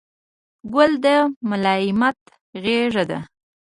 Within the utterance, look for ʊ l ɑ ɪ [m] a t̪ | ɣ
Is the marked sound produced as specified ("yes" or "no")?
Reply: yes